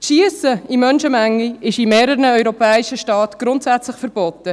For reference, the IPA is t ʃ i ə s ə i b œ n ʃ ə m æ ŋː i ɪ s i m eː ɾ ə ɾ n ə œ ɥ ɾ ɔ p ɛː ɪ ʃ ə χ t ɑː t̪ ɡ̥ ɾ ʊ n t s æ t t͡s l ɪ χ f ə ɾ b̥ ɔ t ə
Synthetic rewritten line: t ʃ i ə s ə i m œ n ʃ ə m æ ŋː i ɪ ʃ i m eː ɾ ə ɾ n ə œ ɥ ɾ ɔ p ɛː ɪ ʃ ə ʃ t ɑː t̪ ɡ̥ ɾ ʊ n t s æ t t͡s l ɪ χ f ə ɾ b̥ ɔ t ə